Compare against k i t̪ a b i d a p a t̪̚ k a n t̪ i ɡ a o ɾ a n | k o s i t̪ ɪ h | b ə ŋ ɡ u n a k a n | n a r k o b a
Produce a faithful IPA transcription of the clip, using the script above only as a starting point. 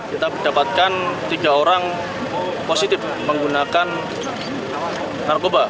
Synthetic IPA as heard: k i t̪ a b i d a p a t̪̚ k a n t̪ i ɡ a o ɾ a ŋ | p o s i t̪ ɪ f | m ə ŋ ɡ u n a k a n | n a r k o b a